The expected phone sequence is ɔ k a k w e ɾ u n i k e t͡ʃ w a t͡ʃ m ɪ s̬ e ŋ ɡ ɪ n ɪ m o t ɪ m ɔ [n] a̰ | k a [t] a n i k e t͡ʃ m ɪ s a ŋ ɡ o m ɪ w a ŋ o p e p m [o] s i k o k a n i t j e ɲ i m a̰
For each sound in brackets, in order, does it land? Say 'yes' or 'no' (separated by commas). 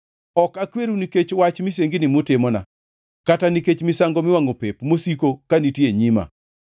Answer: yes, yes, yes